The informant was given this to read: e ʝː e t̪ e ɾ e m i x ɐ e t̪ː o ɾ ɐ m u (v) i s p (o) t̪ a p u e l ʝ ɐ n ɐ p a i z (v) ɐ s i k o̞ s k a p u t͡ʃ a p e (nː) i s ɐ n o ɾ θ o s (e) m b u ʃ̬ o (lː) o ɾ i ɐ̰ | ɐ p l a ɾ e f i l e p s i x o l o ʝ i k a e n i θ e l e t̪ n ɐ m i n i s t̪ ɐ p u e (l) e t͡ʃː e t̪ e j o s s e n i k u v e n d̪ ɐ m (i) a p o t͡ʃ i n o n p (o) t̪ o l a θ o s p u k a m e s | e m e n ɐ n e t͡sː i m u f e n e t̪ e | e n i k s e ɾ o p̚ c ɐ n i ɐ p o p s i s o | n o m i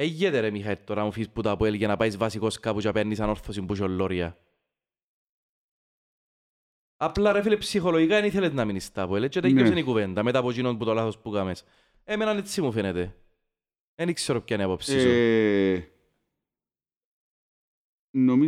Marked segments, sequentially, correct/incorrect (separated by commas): incorrect, incorrect, correct, correct, incorrect, correct, correct, incorrect, incorrect